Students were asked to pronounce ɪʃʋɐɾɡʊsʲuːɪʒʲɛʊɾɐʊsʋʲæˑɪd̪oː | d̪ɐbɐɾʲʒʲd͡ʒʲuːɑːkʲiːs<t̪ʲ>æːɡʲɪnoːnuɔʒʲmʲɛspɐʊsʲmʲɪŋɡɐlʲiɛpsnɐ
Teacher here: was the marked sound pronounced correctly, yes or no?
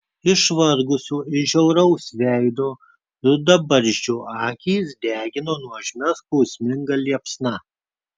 no